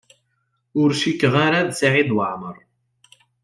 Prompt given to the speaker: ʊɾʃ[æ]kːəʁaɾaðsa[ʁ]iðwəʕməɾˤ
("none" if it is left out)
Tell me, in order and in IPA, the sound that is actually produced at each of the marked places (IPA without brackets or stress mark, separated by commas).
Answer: i, ʕ